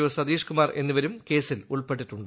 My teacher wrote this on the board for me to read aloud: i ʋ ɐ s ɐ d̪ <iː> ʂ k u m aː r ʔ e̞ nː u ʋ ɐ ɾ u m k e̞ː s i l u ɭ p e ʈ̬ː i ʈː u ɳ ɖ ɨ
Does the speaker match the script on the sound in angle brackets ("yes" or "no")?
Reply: yes